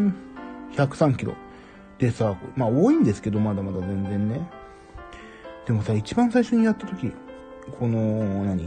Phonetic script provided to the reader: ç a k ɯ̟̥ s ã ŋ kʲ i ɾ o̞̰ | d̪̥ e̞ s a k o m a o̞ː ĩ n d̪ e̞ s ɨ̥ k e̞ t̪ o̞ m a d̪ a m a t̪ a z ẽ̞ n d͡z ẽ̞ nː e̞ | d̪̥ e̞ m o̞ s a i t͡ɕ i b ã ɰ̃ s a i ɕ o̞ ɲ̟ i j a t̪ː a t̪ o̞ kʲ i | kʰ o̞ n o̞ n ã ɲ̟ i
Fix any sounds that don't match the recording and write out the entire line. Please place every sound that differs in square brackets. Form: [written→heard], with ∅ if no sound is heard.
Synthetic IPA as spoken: ç a k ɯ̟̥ s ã ŋ kʲ i ɾ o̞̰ | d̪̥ e̞ s a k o m a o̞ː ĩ n d̪ e̞ s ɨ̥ k e̞ [t̪→d̪] o̞ m a d̪ a m a [t̪→d̪] a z ẽ̞ n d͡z ẽ̞ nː e̞ | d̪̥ e̞ m o̞ s a i t͡ɕ i b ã ɰ̃ s a i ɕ o̞ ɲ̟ i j a t̪ː a t̪ o̞ kʲ i | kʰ o̞ n o̞ n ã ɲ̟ i